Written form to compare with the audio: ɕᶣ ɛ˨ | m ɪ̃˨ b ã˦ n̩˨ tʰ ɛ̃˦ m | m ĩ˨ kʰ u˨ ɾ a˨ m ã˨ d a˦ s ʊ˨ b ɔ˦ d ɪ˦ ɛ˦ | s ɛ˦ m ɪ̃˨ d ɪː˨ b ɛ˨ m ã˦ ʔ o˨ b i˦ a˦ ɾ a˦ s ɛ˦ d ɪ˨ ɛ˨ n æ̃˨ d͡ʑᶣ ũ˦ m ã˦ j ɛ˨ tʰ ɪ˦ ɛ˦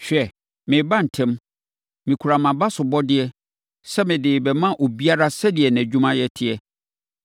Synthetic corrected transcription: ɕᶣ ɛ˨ | m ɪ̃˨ b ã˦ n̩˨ tʰ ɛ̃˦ m | m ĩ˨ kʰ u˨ ɾ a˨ m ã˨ b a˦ s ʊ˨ b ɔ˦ d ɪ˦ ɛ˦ | s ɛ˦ m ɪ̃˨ d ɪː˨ b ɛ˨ m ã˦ ʔ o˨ b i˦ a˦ ɾ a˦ s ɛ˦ d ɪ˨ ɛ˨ n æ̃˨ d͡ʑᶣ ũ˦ m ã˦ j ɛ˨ tʰ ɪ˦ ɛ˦